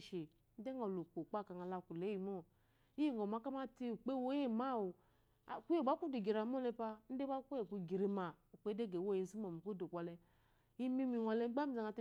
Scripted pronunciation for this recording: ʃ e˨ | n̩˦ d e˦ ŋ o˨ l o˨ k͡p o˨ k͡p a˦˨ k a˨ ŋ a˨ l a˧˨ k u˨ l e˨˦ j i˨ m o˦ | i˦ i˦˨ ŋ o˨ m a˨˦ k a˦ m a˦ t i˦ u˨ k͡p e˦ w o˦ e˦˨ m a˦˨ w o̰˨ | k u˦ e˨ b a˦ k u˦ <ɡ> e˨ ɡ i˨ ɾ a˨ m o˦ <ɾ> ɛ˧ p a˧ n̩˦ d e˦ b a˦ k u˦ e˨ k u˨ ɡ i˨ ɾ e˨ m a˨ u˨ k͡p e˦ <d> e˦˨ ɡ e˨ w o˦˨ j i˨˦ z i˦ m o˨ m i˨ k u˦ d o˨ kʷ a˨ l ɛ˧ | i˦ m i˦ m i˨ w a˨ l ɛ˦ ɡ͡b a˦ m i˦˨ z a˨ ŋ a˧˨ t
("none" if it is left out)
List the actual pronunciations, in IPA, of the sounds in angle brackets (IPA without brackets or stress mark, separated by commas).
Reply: d, l, d